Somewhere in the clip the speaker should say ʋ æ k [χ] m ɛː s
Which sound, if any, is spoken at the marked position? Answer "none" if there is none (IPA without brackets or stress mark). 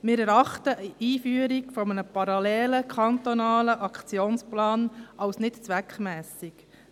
χ